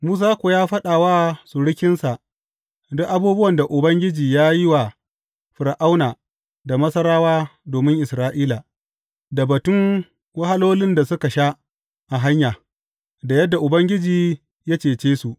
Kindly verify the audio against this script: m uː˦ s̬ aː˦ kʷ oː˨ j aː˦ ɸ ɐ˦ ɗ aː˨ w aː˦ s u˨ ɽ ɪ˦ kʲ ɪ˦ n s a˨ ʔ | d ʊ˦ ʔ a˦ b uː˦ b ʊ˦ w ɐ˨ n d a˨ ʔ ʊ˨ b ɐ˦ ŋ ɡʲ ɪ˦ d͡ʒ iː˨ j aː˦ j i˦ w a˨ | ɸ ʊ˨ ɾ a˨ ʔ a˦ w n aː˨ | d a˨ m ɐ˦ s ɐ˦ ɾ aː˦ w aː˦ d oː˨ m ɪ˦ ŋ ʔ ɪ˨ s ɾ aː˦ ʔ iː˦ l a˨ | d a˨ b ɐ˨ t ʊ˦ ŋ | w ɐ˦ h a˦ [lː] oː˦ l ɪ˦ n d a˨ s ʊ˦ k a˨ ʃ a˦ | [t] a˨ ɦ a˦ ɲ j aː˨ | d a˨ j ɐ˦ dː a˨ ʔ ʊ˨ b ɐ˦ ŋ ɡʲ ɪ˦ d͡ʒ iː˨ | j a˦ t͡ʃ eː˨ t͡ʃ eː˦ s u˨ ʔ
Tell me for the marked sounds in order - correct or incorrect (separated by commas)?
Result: incorrect, incorrect